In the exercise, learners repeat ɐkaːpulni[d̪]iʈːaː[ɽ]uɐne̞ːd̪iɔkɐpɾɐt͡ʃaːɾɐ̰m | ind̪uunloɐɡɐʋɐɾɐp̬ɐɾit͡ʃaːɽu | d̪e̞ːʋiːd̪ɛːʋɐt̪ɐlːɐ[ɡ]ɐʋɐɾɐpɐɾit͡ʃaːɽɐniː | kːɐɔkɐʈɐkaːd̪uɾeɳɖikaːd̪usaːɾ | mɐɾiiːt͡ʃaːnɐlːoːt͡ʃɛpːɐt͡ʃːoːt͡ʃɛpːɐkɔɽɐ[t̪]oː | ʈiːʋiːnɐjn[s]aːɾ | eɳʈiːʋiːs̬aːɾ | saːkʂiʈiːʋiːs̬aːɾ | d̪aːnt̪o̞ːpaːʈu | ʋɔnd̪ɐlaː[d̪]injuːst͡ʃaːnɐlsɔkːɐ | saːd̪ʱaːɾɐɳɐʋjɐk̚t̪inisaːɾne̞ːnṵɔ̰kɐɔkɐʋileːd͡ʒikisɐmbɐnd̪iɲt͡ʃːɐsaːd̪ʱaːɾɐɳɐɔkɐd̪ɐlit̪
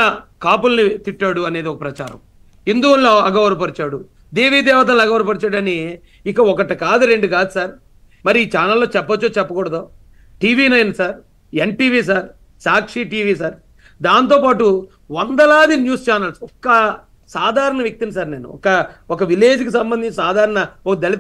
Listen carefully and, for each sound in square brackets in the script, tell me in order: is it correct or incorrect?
incorrect, correct, correct, incorrect, correct, correct

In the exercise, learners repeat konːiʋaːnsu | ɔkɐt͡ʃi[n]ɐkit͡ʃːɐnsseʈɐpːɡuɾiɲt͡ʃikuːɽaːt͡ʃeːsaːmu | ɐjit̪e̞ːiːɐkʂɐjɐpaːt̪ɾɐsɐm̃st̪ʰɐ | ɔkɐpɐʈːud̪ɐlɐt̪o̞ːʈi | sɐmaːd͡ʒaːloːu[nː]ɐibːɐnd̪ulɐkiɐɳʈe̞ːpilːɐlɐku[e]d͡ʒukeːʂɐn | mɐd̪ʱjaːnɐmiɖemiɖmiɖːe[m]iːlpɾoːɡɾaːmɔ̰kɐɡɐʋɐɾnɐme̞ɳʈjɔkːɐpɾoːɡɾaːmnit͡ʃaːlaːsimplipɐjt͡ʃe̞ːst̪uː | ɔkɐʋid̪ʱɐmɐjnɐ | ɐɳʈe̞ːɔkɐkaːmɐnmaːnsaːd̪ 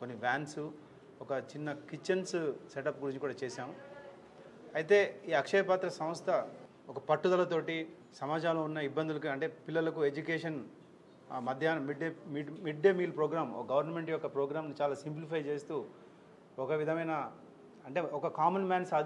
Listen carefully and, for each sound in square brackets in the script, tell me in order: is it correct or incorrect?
incorrect, correct, correct, correct

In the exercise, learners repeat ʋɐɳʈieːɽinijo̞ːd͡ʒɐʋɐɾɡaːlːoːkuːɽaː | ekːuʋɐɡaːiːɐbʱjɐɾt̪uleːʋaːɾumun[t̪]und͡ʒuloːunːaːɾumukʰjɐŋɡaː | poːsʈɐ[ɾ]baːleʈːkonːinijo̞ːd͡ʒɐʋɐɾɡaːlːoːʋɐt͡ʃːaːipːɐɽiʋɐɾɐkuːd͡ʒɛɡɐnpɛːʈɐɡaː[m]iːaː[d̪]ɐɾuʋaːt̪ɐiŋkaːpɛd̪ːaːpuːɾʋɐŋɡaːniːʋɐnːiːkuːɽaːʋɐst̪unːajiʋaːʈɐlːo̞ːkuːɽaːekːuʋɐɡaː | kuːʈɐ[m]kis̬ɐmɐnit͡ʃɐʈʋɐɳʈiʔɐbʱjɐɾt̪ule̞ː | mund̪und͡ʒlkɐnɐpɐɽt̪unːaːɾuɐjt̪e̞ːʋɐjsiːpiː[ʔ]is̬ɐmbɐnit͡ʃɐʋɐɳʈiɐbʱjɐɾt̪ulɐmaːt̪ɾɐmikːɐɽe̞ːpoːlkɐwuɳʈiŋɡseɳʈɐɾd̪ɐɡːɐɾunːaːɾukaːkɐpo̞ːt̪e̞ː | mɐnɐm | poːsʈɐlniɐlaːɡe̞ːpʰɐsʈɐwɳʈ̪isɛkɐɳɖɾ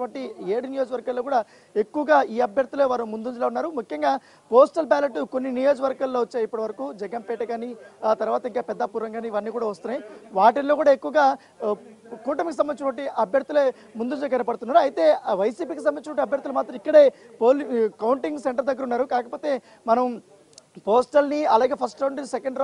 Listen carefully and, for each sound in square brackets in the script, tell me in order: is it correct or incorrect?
incorrect, incorrect, incorrect, incorrect, correct, incorrect

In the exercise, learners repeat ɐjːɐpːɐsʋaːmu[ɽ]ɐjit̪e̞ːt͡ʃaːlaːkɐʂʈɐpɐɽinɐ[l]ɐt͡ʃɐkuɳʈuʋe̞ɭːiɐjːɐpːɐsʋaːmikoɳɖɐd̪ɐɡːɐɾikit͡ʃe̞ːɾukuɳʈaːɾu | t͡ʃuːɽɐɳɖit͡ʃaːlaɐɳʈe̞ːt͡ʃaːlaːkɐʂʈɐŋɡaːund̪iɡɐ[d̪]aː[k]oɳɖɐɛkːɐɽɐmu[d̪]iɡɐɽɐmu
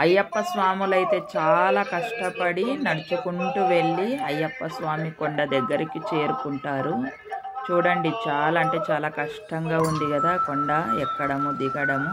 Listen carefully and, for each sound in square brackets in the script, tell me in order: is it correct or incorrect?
incorrect, incorrect, correct, correct, correct

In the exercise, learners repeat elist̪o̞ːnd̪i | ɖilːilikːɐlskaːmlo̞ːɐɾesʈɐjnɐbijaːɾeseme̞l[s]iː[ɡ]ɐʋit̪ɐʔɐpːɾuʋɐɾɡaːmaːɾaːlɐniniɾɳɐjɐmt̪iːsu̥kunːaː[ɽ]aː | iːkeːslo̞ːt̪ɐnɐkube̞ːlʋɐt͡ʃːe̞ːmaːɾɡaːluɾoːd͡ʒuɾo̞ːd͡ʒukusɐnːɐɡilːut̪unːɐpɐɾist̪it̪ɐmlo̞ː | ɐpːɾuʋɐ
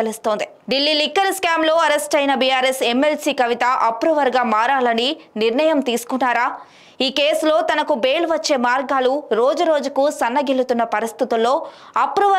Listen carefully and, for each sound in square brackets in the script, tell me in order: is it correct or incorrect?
correct, incorrect, incorrect

